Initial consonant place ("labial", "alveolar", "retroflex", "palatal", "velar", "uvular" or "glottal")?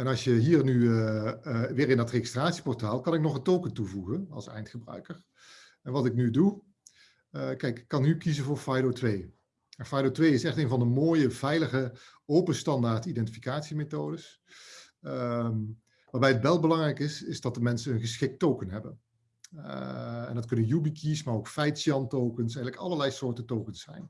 alveolar